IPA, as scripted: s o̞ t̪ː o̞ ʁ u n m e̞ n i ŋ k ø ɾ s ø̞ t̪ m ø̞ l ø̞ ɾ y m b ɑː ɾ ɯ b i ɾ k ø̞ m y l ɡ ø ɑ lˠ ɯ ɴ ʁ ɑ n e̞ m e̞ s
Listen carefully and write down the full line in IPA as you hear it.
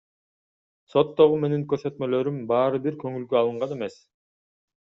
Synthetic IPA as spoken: s o̞ t̪ː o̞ ʁ u m e̞ n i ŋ k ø ɾ s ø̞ t̪ m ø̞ l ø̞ ɾ y m b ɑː ɾ ɯ b i ɾ k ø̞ ŋ y l ɡ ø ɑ lˠ ɯ ɴ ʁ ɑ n e̞ m e̞ s